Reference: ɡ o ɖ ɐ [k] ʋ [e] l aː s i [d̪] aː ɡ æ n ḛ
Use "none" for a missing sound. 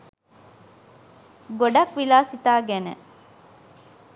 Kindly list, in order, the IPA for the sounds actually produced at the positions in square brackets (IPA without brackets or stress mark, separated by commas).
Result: k, i, t̪